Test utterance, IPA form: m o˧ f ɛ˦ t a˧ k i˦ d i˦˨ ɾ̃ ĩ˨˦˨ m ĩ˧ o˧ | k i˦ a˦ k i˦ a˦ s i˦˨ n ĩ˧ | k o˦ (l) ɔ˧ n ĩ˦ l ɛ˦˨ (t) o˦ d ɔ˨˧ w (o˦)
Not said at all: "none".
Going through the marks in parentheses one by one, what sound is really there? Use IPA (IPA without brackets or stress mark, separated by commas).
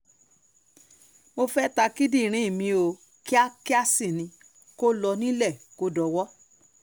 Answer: l, k, ɔ˦